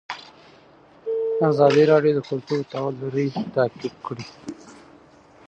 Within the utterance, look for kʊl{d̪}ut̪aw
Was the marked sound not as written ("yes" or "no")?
yes